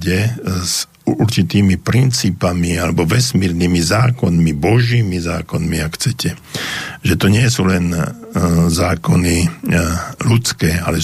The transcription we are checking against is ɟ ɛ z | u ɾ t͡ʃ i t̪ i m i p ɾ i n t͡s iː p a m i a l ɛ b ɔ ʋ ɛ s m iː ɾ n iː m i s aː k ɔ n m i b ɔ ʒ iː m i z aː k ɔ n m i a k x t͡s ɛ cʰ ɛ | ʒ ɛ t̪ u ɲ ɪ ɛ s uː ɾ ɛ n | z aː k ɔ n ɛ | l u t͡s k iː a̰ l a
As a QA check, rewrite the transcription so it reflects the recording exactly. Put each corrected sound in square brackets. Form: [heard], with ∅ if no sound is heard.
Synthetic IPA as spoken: ɟ ɛ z | u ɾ t͡ʃ i t̪ [iː] m i p ɾ i n t͡s iː p a m i a l ɛ b ɔ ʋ ɛ s m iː ɾ n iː m i [z] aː k ɔ n m i b ɔ ʒ iː m i z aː k ɔ n m i a k x t͡s ɛ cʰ ɛ | ʒ ɛ t̪ [ɔ] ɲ ɪ ɛ s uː [l] ɛ n | z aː k ɔ n [i] | l u t͡s k [ɛː] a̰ l [ɛ]